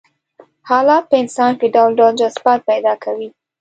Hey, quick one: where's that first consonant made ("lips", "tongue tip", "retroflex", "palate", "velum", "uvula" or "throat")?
throat